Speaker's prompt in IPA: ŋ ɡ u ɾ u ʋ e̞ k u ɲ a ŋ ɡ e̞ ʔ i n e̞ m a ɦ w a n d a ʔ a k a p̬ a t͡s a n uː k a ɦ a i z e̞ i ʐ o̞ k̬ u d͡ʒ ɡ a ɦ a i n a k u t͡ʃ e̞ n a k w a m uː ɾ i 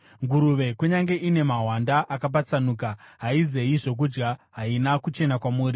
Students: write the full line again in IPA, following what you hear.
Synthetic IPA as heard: ŋ ɡ u ɾ u ʋ e̞ k u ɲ a ŋ ɡ e̞ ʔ i n e̞ m a ɦ w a n d a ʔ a k a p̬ a t͡s a n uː k a ɦ a i z e̞ i ʐ o̞ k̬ u d͡ʒ ɡ a ɦ a i n a k u t͡ʃ e̞ n a k w a m uː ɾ i